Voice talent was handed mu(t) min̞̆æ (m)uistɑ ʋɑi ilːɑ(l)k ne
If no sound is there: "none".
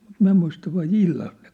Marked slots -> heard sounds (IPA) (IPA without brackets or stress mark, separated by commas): t, m, l